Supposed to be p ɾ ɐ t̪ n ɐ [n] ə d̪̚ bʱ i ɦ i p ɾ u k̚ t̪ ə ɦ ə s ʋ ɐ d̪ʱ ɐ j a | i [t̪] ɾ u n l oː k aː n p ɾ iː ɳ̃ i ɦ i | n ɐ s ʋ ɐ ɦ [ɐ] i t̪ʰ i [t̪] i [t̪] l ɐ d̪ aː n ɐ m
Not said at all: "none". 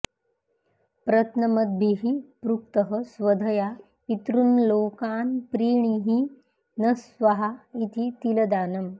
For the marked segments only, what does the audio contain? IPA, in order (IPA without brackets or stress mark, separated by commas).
m, t̪, a, t̪, none